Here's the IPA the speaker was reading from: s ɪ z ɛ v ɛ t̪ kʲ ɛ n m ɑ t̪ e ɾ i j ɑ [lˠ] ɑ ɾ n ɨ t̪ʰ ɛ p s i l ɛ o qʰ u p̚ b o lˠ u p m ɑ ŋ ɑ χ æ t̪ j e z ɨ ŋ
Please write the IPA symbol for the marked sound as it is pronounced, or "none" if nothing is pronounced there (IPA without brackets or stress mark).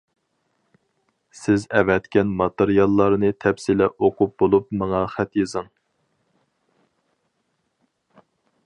lˠː